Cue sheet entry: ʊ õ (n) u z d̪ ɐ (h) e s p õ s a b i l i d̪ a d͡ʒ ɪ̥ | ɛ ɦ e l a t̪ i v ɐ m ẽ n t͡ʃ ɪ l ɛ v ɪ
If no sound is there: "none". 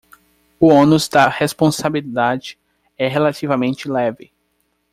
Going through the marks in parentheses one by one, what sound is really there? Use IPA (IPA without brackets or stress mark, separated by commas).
n, h